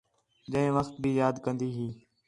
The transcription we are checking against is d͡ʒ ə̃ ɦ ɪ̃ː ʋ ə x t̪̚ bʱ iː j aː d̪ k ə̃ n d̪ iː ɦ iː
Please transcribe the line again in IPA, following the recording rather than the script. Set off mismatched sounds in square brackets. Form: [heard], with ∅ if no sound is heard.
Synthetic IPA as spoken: d͡ʒ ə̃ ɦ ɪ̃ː ʋ ə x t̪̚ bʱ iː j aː d̪ k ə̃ n d̪ iː ɦ iː